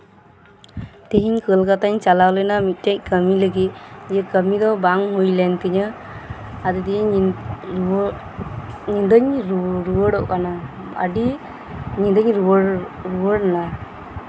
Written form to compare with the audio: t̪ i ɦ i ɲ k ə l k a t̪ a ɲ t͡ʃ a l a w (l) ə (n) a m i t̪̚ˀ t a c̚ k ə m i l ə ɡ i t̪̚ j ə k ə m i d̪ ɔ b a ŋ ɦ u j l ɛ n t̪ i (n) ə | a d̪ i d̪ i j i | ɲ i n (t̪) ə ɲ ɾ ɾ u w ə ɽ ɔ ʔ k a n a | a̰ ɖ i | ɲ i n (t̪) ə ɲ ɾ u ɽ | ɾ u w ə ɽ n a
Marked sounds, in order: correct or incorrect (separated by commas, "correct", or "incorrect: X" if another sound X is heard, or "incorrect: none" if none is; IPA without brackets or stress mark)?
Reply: correct, correct, incorrect: ɲ, incorrect: d̪, incorrect: d̪